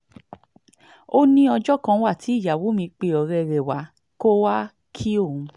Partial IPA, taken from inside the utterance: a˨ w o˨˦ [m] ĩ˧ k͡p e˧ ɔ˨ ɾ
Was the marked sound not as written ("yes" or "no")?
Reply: no